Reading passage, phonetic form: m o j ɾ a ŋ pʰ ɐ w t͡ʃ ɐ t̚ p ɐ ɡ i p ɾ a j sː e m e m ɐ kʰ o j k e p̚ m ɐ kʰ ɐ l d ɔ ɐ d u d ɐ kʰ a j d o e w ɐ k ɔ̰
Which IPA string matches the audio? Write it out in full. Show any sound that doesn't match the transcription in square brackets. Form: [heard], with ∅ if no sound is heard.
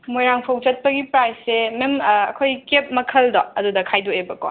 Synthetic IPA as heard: m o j ɾ a ŋ pʰ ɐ w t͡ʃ ɐ t̚ p ɐ ɡ i p ɾ a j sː e m e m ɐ kʰ o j k e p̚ m ɐ kʰ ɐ l d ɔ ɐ d u d ɐ kʰ a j d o e [b] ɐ k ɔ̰